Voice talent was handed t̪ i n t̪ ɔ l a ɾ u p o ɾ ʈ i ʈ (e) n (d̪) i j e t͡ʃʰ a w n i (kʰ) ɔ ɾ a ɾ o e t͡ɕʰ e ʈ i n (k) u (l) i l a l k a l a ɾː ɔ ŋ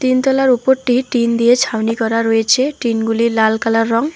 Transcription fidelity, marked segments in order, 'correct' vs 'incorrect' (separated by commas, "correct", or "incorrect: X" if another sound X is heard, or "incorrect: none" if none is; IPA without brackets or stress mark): incorrect: i, correct, incorrect: k, incorrect: ɡ, correct